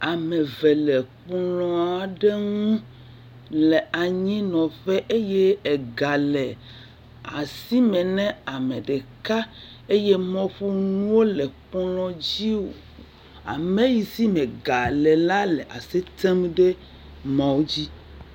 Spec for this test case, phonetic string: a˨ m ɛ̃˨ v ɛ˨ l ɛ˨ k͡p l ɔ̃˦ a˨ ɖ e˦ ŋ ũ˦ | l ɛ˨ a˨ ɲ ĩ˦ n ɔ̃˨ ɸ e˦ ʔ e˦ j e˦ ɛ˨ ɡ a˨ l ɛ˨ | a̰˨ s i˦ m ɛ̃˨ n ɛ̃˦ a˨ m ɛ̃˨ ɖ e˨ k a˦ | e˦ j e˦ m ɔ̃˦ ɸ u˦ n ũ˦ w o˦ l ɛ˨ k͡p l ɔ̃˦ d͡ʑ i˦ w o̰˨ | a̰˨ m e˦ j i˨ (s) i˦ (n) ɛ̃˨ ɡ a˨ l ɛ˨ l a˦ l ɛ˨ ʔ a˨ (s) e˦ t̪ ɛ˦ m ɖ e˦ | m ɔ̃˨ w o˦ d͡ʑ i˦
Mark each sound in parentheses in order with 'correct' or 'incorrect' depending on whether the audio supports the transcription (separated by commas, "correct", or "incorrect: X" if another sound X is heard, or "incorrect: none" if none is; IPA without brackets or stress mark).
correct, incorrect: m, correct